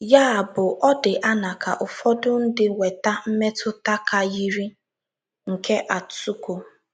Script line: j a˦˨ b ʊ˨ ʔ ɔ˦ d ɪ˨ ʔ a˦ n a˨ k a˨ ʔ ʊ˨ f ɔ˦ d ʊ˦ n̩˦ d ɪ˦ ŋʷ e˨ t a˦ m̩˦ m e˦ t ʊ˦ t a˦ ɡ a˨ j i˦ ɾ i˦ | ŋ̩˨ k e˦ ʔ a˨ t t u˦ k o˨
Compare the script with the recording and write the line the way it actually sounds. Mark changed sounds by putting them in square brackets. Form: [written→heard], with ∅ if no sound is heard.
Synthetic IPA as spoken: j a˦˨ b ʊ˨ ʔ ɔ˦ d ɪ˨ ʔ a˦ n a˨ k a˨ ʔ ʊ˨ f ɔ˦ d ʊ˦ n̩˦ d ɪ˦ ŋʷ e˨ t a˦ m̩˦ m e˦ t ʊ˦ t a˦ [ɡ→k] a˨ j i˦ ɾ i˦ | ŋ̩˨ k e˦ ʔ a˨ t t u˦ k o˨